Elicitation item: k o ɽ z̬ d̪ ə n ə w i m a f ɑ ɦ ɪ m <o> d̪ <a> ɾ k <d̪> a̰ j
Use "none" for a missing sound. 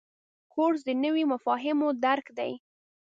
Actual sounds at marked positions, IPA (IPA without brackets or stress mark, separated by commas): o, a, d̪